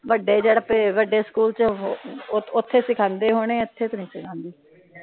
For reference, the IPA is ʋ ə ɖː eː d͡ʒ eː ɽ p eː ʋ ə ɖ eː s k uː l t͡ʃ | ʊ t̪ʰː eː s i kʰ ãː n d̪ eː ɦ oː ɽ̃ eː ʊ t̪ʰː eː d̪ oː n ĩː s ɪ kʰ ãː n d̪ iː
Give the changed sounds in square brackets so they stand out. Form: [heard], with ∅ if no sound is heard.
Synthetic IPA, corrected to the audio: ʋ ə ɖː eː d͡ʒ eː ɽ p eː ʋ ə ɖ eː s k uː l t͡ʃ | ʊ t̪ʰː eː s [ɪ] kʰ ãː n d̪ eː ɦ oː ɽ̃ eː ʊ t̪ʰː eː [t̪] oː n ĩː s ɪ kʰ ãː n d̪ iː